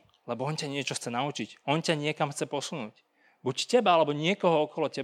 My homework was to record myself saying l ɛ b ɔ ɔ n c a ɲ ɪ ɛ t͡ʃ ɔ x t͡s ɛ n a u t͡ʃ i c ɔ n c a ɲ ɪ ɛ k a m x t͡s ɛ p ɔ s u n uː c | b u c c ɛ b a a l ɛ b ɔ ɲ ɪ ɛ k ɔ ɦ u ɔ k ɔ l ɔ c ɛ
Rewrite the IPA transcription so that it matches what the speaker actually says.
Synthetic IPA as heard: l ɛ b ɔ ɔ n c a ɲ ɪ ɛ t͡ʃ ɔ x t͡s ɛ n a u t͡ʃ i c ɔ n c a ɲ ɪ ɛ k a m x t͡s ɛ p ɔ s u n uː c | b u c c ɛ b a a l ɛ b ɔ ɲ ɪ ɛ k ɔ ɦ ɔ ɔ k ɔ l ɔ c ɛ